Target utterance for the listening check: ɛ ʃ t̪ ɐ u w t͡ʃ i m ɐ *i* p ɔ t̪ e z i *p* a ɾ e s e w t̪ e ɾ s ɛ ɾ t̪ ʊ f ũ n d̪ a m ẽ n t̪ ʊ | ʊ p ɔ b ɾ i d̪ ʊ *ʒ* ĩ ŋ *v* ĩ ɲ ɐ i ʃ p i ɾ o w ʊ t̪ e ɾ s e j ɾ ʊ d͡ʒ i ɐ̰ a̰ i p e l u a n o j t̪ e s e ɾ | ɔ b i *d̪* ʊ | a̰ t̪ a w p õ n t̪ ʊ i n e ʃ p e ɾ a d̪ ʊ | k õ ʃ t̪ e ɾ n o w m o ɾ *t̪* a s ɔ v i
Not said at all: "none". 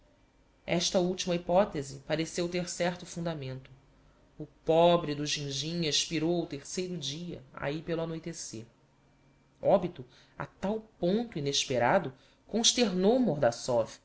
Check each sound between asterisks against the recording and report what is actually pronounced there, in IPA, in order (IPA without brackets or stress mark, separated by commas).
i, p, ʒ, ʒ, t̪, d̪